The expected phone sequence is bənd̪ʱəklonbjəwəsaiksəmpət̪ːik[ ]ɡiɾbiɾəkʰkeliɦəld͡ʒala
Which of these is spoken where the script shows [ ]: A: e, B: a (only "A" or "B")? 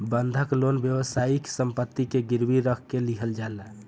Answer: A